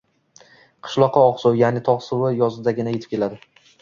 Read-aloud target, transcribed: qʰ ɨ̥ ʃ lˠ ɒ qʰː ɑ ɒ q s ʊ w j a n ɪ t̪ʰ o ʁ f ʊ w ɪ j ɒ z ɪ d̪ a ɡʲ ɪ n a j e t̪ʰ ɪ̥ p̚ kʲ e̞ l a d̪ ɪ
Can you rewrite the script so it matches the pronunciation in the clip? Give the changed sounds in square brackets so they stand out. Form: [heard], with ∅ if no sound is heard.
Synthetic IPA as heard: qʰ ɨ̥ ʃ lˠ ɒ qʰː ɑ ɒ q s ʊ w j a n ɪ t̪ʰ [ɒ] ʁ [s] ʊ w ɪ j ɒ z ɪ d̪ a ɡʲ ɪ n a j e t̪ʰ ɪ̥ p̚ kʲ e̞ l a d̪ ɪ

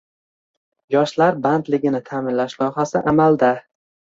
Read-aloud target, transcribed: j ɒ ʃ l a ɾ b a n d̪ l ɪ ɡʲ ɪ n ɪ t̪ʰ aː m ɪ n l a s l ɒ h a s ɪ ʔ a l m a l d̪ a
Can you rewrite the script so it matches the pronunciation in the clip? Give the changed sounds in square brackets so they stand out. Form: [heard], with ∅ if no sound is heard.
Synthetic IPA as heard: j ɒ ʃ l a ɾ b a n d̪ l ɪ ɡʲ ɪ n ɪ t̪ʰ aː m ɪ n l a [ʃ] l ɒ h a s ɪ ʔ a [∅] m a l d̪ a

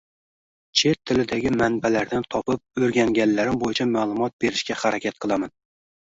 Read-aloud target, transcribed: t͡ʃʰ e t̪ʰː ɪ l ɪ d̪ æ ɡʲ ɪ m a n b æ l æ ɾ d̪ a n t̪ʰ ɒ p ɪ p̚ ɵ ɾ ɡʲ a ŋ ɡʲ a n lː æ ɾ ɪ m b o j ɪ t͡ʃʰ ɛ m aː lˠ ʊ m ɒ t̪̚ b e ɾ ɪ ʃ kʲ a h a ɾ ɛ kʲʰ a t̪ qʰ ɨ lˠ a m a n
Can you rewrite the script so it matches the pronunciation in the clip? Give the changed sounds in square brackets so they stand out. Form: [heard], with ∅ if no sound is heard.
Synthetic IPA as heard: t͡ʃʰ e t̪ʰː ɪ l ɪ d̪ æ ɡʲ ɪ m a n b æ l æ ɾ d̪ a n t̪ʰ ɒ p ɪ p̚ ɵ ɾ ɡʲ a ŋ ɡʲ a n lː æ ɾ ɪ m b o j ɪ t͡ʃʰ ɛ m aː lˠ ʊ m ɒ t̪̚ b e ɾ ɪ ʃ kʲ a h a ɾ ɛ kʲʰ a t̪ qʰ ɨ lˠ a m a n

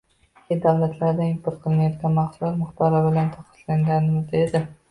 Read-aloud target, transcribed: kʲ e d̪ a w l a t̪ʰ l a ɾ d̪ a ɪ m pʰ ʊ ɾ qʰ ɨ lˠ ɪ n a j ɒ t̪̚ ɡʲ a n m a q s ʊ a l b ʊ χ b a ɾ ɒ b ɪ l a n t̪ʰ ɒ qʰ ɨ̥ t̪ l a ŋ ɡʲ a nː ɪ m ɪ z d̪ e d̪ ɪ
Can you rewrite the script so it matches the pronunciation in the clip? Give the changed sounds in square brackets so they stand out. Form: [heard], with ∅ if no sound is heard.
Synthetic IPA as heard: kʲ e d̪ a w l a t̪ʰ l a ɾ d̪ a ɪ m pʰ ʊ ɾ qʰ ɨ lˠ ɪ n a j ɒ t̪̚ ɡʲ a n m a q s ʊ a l [m] ʊ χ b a ɾ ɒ b ɪ l a n t̪ʰ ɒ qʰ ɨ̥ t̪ l a ŋ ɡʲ a [n] ɪ m ɪ z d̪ e d̪ ɪ

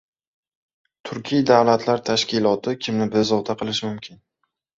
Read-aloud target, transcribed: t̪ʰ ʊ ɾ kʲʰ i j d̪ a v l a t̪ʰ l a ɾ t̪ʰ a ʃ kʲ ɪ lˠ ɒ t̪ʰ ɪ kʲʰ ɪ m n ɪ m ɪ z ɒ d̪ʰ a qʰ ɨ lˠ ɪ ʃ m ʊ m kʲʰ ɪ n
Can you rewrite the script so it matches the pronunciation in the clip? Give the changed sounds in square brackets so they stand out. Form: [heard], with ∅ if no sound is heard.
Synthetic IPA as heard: t̪ʰ ʊ ɾ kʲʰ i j d̪ a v l a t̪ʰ l a ɾ t̪ʰ a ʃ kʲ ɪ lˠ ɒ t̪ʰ ɪ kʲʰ ɪ m n ɪ [b] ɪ z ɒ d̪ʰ a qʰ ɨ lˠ ɪ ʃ m ʊ m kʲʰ ɪ n

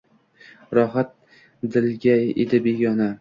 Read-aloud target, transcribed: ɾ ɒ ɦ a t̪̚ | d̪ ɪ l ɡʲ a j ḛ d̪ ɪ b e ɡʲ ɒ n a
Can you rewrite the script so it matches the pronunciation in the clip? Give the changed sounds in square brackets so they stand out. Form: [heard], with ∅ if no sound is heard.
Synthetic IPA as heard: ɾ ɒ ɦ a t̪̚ | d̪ ɪ l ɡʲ a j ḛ d̪ ɪ b e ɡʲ ɒ n a

